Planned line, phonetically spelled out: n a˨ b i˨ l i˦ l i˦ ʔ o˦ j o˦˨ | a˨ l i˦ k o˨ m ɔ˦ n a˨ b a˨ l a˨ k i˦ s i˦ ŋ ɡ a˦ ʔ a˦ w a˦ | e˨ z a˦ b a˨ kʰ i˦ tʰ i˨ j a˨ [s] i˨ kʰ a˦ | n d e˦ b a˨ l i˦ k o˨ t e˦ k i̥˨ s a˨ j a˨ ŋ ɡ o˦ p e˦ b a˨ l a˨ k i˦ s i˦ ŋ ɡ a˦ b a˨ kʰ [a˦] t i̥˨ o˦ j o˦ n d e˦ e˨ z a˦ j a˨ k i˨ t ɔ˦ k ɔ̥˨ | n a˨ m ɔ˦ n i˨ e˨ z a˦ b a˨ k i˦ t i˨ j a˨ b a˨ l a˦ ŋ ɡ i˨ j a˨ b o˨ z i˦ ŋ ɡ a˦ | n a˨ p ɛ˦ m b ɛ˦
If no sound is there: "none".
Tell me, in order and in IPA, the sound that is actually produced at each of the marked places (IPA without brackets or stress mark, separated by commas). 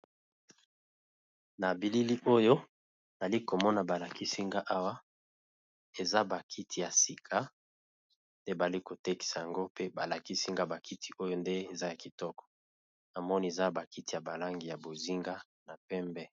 s, i˦